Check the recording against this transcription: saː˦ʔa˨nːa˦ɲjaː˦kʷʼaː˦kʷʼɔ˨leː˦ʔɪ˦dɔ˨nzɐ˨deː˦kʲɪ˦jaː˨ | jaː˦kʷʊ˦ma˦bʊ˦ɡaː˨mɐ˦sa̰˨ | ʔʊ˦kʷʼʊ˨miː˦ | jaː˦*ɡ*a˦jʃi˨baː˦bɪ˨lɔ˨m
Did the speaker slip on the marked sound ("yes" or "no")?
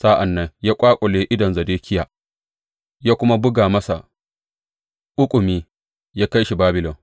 yes